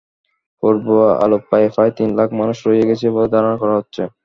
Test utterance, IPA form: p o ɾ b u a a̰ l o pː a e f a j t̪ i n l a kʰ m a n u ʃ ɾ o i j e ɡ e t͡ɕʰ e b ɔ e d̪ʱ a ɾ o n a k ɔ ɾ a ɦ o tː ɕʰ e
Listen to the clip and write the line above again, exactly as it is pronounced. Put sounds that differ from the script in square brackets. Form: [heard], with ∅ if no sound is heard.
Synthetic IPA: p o ɾ b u a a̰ l o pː a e f a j t̪ i n l a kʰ m a n u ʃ ɾ o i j e ɡ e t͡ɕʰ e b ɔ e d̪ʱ a ɾ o n a k ɔ ɾ a ɦ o tː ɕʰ e

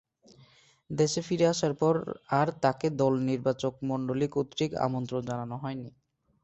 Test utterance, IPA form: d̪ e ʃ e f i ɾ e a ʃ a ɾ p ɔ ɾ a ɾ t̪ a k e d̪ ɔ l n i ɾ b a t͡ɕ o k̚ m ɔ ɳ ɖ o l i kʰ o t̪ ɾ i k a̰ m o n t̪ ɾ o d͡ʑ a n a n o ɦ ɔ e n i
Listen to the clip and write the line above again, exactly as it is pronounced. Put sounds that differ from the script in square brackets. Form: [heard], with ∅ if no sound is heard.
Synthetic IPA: d̪ e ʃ e f i ɾ e a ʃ a ɾ p ɔ ɾ a ɾ t̪ a k e d̪ ɔ l n i ɾ b a t͡ɕ o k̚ m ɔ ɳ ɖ o l i [k] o t̪ ɾ i k a̰ m o n t̪ ɾ o d͡ʑ a n a n o ɦ ɔ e n i

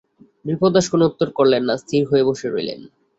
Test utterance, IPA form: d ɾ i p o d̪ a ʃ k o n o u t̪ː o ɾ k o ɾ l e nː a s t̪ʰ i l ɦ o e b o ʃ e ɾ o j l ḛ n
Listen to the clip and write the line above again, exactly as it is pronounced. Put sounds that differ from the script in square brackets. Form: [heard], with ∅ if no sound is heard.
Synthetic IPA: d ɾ i p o d̪ a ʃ k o n o u t̪ː o ɾ k o ɾ l e nː a s t̪ʰ i [ɾ] ɦ o e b o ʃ e ɾ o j l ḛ n

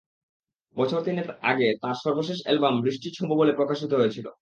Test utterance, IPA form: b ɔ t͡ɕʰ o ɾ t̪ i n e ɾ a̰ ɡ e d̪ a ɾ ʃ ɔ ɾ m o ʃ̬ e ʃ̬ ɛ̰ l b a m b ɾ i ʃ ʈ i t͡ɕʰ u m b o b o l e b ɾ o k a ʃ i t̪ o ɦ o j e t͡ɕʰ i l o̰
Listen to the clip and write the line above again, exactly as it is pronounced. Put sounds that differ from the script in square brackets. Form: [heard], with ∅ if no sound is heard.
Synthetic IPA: b ɔ t͡ɕʰ o ɾ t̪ i n e ɾ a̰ ɡ e [t̪] a ɾ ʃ ɔ ɾ [b] o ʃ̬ e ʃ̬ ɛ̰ l b a m b ɾ i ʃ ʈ i t͡ɕʰ u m b o b o l e [p] ɾ o k a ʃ i t̪ o ɦ o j e t͡ɕʰ i l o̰

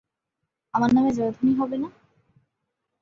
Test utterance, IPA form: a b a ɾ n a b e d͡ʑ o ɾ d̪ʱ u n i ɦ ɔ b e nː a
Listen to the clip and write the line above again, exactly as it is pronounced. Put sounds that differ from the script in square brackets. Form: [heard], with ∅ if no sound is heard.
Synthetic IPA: a [m] a ɾ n a [m] e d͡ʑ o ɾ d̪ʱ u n i ɦ ɔ b e [n] a

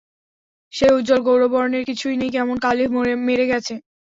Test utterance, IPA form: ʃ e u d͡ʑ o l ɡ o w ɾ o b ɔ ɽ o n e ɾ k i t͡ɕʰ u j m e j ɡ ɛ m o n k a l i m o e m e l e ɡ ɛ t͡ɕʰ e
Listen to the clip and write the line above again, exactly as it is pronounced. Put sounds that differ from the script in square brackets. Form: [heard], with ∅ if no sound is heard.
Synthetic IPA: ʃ e u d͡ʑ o l ɡ o w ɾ o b ɔ [ɾ] o n e ɾ k i t͡ɕʰ u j [n] e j [k] ɛ m o n k a l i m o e m e [ɾ] e ɡ ɛ t͡ɕʰ e

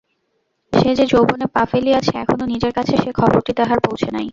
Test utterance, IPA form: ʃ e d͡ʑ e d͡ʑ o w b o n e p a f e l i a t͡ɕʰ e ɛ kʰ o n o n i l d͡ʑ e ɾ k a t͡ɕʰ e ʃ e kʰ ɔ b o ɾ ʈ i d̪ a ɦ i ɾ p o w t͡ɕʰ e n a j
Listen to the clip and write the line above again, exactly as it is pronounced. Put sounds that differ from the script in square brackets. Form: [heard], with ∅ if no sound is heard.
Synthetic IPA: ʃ e d͡ʑ e d͡ʑ o w b o n e p a f e l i a t͡ɕʰ e ɛ kʰ o n o n i [∅] d͡ʑ e ɾ k a t͡ɕʰ e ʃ e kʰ ɔ b o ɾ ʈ i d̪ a ɦ [a] ɾ p o w t͡ɕʰ e n a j

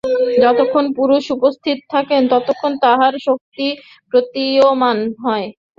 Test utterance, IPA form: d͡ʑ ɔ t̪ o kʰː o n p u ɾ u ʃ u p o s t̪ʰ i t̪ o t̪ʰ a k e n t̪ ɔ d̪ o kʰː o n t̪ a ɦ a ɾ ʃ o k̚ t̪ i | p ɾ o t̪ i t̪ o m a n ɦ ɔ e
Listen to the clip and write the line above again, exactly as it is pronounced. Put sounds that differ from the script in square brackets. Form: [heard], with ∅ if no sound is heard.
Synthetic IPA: d͡ʑ ɔ t̪ o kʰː o n p u ɾ u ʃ u p o s t̪ʰ i t̪ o t̪ʰ a k e n t̪ ɔ [t̪] o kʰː o n t̪ a ɦ a ɾ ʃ o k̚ t̪ i | p ɾ o t̪ i [∅] o m a n ɦ ɔ e

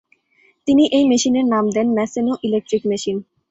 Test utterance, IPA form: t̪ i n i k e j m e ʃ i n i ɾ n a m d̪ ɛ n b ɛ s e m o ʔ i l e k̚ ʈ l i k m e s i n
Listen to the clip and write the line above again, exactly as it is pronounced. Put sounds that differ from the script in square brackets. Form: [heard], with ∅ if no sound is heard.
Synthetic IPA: t̪ i n i [ʔ] e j m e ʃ i n [e] ɾ n a m d̪ ɛ n [m] ɛ s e [n] o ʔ i l e k̚ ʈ [ɾ] i k m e [ʃ] i n

